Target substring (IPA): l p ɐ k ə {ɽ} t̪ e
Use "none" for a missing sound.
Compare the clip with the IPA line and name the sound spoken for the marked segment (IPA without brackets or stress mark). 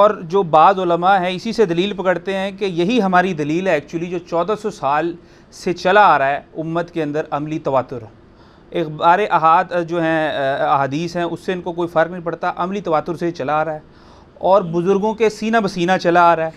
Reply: ɽ